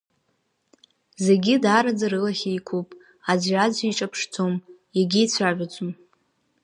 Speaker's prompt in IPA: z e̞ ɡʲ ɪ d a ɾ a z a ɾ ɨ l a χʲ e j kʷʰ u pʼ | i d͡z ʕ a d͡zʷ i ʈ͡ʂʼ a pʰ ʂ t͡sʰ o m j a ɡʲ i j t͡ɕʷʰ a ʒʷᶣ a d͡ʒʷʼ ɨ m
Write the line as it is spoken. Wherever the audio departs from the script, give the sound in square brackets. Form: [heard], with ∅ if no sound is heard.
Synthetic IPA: z e̞ ɡʲ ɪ d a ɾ a [d͡z] a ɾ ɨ l a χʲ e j kʷʰ u pʼ | [a] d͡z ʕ a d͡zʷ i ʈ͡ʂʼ a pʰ ʂ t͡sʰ o m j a ɡʲ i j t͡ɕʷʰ a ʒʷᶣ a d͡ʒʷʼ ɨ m